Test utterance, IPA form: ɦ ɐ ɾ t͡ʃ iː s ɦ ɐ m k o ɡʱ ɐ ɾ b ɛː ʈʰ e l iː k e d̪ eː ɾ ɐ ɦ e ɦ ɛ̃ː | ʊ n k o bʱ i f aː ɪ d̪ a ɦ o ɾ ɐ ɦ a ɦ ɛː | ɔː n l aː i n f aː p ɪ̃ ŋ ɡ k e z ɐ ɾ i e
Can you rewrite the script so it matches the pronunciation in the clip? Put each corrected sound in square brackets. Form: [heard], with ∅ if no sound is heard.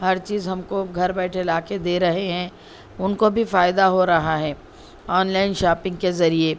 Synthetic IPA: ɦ ɐ ɾ t͡ʃ iː [z] ɦ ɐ m k o ɡʱ ɐ ɾ b ɛː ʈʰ e l [aː] k e d̪ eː ɾ ɐ ɦ e ɦ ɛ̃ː | ʊ n k o bʱ i f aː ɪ d̪ a ɦ o ɾ ɐ ɦ a ɦ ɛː | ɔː n l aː [ɪ] n [ʃ] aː p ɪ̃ ŋ ɡ k e z ɐ ɾ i e